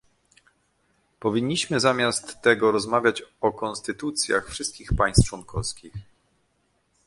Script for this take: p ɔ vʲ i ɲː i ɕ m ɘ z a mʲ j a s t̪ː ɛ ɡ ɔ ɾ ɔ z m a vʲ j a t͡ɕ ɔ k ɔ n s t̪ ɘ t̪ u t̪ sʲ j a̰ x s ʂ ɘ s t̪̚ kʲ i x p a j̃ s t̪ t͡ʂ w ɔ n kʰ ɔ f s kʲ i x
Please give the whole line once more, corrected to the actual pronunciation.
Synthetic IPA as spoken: p ɔ vʲ i ɲː i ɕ m ɘ z a mʲ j a s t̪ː ɛ ɡ ɔ ɾ ɔ z m a vʲ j a t͡ɕ ɔ k ɔ n s t̪ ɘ t̪ u t̪ sʲ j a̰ x f ʂ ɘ s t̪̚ kʲ i x p a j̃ s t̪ t͡ʂ w ɔ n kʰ ɔ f s kʲ i x